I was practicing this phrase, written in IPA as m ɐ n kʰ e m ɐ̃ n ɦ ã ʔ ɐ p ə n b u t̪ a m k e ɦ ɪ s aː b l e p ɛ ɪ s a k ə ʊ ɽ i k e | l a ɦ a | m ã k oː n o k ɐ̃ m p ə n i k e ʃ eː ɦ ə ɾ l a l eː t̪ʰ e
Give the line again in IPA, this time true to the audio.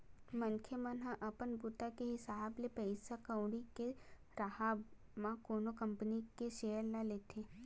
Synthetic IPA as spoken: m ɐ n kʰ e m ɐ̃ n ɦ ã ʔ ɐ p ə n b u t̪ a k e ɦ ɪ s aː b l e p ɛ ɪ s a k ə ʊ ɽ i k e | ɾ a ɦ a | m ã k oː n o k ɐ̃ m p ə n i k e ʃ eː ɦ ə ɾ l a l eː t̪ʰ e